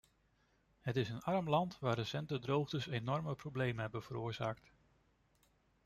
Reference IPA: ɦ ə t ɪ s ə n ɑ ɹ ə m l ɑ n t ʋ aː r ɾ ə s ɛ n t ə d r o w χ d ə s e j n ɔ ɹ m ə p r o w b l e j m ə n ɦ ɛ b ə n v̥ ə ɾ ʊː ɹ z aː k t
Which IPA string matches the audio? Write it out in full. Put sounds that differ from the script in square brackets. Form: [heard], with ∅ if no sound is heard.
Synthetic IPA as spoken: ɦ ə t ɪ s ə n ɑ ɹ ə m l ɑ n t ʋ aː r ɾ ə s ɛ n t ə d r o w χ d ə s e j n ɔ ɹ m ə p r o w b l e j m ə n ɦ ɛ b ə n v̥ ə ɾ ʊː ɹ z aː k t